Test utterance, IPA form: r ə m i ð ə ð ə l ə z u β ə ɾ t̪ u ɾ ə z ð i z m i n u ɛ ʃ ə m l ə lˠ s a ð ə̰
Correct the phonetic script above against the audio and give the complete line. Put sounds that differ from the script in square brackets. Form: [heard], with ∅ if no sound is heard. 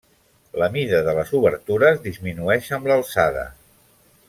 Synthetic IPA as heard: [l] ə m i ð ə ð ə l ə z u β ə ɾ t̪ u ɾ ə z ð i z m i n u ɛ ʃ ə m l ə lˠ s a ð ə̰